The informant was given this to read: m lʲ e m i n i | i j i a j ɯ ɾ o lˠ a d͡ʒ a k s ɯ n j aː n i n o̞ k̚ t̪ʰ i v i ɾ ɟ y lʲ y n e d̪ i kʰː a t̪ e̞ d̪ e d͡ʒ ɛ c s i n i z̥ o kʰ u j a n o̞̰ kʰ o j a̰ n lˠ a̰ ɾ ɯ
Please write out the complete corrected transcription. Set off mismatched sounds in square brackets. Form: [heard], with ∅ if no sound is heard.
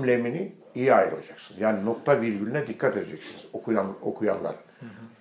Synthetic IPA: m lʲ e m i n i | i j i a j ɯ ɾ o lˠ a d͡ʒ a k s ɯ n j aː n i n o̞ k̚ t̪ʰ [a] v i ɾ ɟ y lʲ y n [ɛ] d̪ i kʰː a t̪ e̞ d̪ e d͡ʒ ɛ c s i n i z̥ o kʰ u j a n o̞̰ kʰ [u] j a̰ n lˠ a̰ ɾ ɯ